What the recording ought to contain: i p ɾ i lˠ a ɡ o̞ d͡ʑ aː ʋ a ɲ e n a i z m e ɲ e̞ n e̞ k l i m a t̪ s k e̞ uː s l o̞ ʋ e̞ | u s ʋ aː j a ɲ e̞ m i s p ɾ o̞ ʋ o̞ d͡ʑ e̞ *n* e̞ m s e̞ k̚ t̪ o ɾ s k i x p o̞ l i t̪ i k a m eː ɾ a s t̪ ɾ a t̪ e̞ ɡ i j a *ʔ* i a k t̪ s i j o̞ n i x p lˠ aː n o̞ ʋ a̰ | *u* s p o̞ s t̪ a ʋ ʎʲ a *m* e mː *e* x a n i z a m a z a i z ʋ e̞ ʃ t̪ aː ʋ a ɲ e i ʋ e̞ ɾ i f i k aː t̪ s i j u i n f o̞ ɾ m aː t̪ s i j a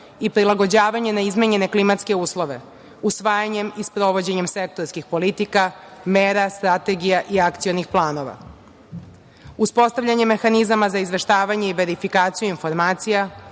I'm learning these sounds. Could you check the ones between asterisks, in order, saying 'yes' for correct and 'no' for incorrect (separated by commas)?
no, yes, yes, no, yes